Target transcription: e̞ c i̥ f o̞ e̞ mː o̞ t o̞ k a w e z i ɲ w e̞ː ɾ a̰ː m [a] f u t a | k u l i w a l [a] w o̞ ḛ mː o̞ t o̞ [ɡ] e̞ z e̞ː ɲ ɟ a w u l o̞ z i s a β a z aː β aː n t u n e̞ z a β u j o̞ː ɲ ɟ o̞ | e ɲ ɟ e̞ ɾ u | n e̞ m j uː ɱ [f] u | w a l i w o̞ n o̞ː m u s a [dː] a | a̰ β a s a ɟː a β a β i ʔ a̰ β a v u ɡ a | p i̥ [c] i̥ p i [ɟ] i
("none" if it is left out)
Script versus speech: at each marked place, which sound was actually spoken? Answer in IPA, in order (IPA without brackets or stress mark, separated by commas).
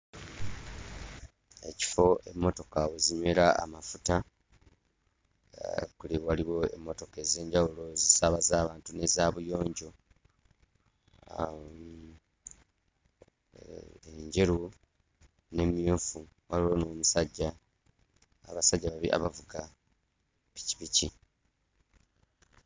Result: a, i, k, f, ɟː, c, c